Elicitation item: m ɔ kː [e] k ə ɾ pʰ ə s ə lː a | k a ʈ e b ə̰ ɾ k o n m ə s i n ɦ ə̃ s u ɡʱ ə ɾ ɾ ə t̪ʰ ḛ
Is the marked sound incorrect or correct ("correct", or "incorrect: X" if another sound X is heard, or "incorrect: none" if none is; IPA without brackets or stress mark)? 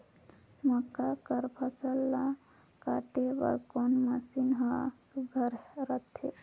incorrect: a